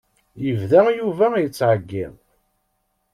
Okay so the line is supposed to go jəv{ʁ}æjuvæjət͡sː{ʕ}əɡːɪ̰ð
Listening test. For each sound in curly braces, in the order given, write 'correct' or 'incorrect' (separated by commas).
incorrect, correct